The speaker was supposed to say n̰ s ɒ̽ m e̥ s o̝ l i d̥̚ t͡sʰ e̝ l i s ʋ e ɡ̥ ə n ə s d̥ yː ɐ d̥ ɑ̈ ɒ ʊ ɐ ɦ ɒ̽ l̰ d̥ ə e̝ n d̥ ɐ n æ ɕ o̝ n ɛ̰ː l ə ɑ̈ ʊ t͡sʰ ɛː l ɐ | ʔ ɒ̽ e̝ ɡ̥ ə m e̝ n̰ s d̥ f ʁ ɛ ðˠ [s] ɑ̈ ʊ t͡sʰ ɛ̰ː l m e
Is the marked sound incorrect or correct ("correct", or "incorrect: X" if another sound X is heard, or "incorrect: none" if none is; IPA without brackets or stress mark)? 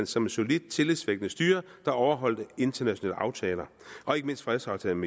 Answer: correct